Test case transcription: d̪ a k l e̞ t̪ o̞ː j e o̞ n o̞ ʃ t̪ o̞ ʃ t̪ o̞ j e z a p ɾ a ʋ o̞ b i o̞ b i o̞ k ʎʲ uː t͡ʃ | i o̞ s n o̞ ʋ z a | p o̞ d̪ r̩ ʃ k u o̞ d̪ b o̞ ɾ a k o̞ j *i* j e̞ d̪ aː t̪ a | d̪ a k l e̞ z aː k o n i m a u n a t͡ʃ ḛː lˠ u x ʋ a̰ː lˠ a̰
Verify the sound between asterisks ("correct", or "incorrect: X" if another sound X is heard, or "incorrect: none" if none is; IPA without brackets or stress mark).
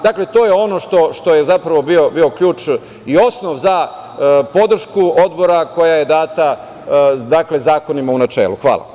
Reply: incorrect: a